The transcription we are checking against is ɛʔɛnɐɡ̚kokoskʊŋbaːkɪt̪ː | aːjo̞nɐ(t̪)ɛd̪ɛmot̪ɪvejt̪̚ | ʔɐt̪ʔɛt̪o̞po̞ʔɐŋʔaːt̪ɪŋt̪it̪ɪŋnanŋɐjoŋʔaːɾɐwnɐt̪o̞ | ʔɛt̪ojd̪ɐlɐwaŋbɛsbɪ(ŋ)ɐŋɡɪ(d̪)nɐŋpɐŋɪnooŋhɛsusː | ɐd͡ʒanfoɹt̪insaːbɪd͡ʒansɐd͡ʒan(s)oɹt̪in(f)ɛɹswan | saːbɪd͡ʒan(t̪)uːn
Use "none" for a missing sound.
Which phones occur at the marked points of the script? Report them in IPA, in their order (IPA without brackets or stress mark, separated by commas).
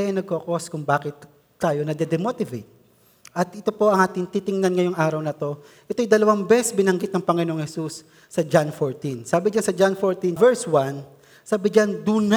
d̪, n, t̪, f, v, d̪